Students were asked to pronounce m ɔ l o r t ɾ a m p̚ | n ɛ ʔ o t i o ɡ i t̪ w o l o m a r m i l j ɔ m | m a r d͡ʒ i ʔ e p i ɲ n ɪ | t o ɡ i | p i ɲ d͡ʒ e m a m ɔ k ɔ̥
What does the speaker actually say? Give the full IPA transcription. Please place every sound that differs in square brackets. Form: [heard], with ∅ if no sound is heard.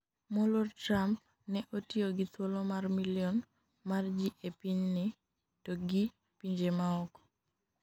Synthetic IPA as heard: m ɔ l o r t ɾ a m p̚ | n ɛ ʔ o t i o ɡ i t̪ w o l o m a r m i l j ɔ [n] | m a r d͡ʒ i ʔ e p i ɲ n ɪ | t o ɡ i | p i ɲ d͡ʒ e m a [∅] ɔ k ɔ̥